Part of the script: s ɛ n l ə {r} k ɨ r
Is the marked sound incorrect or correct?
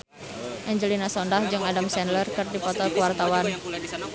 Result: correct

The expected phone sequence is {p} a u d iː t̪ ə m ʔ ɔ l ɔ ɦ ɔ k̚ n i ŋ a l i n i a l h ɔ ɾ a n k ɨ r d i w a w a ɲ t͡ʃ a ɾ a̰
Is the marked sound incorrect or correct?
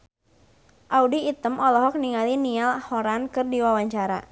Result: incorrect: ʔ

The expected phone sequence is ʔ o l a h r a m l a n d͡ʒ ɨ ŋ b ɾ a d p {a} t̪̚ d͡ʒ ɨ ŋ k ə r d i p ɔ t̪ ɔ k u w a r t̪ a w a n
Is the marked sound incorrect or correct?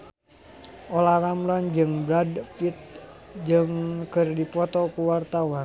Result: incorrect: i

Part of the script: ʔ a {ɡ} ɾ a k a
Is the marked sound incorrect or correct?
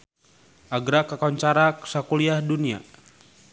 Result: correct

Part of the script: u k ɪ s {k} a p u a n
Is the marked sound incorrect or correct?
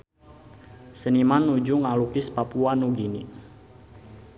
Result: incorrect: p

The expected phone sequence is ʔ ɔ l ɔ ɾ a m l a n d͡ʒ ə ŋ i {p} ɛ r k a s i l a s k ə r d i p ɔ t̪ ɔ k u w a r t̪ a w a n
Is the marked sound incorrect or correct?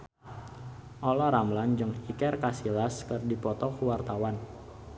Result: incorrect: k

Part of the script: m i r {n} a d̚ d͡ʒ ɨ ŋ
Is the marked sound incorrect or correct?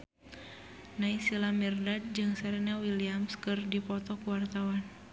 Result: incorrect: d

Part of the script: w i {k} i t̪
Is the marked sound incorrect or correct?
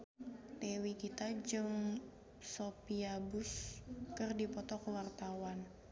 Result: correct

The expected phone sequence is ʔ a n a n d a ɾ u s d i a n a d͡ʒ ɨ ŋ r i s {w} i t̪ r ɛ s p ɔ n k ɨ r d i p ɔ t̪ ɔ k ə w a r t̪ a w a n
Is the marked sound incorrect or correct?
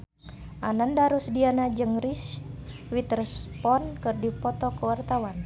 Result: correct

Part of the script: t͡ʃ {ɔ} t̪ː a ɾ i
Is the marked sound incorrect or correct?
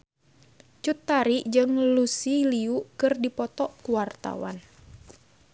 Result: incorrect: u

